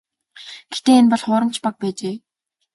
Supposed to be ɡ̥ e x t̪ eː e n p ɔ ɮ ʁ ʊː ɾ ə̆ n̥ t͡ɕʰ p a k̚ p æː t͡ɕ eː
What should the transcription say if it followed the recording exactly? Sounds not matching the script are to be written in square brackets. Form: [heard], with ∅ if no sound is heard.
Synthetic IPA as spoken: ɡ̥ e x t̪ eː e n p ɔ ɮ [χ] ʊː ɾ ə̆ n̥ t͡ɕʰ p a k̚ p æː t͡ɕ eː